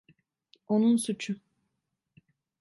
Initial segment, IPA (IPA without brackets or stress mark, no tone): o